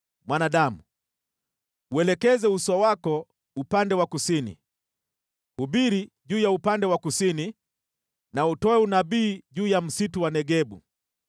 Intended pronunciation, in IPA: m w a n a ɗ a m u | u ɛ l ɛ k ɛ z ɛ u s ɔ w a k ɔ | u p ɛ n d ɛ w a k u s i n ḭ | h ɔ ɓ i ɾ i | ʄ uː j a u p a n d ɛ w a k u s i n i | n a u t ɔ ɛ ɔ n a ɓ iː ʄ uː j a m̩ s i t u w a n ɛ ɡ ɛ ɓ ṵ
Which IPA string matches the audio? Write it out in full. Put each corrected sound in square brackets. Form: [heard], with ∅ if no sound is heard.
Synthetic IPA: m w a n a ɗ a m u | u ɛ l ɛ k ɛ z ɛ u s ɔ w a k ɔ | u p [a] n d ɛ w a k u s i n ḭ | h [u] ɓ i ɾ i | ʄ uː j a u p a n d ɛ w a k u s i n i | n a u t ɔ ɛ [u] n a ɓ iː ʄ uː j a m̩ s i t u w a n ɛ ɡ ɛ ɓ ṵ